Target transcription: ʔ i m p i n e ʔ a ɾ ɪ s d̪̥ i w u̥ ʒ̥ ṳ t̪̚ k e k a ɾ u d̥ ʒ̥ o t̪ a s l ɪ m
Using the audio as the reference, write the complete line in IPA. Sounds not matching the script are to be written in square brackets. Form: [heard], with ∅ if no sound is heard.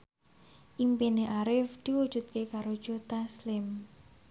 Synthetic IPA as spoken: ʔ i m p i n e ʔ a ɾ ɪ [f] d̪̥ i w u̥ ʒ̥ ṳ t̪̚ k e k a ɾ [o] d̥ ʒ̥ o t̪ a s l ɪ m